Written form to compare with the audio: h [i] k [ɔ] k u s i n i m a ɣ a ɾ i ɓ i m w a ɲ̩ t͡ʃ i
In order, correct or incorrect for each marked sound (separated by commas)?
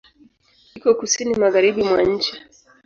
correct, correct